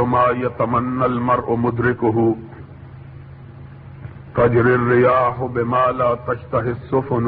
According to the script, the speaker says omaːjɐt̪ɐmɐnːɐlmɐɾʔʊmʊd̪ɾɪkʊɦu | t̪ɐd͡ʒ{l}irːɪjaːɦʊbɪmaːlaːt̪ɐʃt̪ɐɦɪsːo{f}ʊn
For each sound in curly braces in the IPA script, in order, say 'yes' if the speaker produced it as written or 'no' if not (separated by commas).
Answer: no, yes